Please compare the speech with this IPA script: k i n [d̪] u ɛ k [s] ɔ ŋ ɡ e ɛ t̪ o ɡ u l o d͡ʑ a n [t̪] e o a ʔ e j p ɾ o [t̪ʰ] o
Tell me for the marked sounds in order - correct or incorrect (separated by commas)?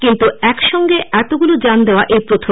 incorrect, incorrect, incorrect, correct